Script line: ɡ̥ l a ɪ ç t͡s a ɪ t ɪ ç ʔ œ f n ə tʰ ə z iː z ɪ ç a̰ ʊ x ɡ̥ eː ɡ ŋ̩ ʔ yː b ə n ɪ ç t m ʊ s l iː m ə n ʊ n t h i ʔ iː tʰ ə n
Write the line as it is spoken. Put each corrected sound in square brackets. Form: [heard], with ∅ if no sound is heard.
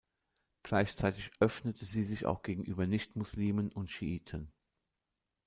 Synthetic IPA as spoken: ɡ̥ l a ɪ ç t͡s a ɪ t ɪ ç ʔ œ f n ə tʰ ə z iː z ɪ ç a̰ ʊ x ɡ̥ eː ɡ ŋ̩ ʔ yː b [ɐ] n ɪ ç t m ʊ s l iː m ə n ʊ n t [ʃ] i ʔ iː tʰ ə n